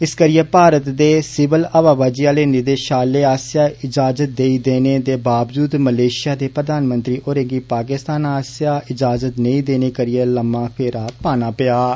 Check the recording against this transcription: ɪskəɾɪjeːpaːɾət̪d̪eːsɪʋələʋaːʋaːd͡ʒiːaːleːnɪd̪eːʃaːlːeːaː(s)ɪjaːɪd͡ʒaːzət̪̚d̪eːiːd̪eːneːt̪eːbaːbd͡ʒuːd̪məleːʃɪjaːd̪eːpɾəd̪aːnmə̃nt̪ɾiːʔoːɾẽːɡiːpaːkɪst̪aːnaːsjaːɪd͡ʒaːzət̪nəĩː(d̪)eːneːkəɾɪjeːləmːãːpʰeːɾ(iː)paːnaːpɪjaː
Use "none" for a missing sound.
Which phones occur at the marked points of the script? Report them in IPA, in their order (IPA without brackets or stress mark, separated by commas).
s, d̪, aː